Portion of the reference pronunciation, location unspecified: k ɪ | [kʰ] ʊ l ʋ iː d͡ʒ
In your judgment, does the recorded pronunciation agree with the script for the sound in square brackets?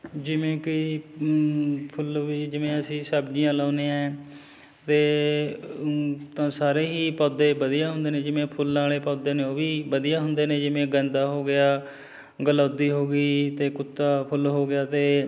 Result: no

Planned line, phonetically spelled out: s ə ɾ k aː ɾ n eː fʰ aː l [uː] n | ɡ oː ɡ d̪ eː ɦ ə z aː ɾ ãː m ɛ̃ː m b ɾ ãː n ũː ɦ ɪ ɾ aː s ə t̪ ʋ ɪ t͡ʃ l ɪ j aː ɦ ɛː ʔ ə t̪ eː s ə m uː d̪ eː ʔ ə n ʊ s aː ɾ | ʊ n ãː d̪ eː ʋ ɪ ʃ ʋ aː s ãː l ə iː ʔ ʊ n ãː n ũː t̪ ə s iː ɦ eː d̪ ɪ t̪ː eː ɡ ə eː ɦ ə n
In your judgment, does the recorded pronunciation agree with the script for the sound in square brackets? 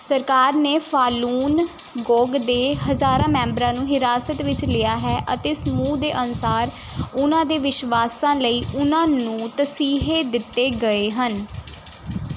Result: yes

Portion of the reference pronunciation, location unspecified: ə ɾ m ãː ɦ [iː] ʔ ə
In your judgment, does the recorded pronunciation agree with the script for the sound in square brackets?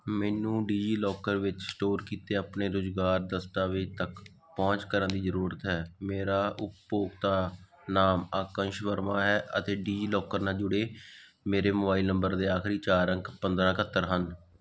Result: no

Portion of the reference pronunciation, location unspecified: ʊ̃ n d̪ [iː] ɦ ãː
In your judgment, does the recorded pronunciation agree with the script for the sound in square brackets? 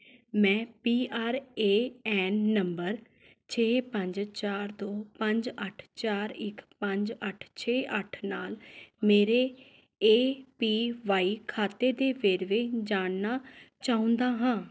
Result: no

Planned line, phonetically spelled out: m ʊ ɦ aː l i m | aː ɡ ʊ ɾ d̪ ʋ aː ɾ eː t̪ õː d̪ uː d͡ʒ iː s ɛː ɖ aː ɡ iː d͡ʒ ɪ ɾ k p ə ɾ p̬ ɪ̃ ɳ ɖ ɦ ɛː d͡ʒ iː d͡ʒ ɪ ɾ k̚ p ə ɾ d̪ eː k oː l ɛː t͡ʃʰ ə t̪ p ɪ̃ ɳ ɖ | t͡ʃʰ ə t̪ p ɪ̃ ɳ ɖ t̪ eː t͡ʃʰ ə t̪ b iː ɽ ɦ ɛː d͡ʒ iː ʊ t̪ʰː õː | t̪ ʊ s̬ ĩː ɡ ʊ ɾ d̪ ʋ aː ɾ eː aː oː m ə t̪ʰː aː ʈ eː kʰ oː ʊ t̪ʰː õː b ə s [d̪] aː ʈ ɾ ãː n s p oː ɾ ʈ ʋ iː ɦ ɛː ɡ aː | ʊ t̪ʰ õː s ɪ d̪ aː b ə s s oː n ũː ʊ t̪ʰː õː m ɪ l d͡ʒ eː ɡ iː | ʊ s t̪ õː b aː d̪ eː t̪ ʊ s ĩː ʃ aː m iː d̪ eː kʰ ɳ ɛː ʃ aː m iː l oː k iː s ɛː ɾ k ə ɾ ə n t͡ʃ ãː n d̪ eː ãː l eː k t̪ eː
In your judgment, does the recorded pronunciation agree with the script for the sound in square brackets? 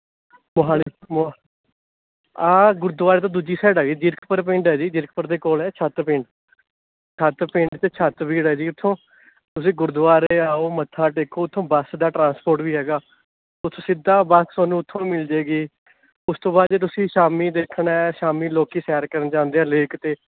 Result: yes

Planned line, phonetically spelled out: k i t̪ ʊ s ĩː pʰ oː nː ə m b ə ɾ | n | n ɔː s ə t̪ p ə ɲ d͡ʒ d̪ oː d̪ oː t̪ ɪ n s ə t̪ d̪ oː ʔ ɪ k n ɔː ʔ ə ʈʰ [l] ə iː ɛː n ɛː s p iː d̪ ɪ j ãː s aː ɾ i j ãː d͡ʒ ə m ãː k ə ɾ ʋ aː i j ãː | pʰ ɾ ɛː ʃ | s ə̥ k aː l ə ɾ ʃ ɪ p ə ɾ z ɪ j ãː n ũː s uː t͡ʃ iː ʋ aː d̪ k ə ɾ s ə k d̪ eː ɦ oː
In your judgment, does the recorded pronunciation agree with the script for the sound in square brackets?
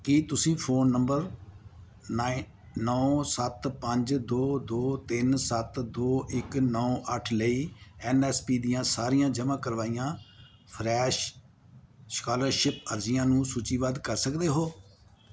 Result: yes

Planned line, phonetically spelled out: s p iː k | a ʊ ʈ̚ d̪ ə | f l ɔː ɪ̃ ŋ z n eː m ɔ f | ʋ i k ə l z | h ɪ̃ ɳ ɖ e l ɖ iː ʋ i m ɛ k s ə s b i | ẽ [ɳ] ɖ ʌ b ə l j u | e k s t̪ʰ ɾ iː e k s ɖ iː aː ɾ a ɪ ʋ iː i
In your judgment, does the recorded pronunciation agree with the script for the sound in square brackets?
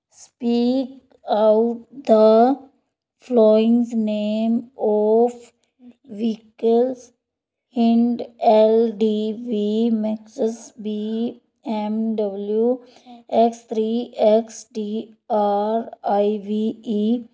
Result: no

